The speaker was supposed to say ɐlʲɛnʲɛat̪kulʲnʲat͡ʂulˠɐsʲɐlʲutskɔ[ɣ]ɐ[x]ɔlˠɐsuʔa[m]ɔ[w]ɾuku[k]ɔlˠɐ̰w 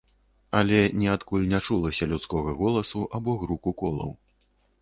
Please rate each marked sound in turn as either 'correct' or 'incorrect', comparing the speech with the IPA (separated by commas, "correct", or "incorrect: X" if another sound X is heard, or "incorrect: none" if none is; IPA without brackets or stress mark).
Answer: correct, incorrect: ɣ, incorrect: b, incorrect: ɣ, correct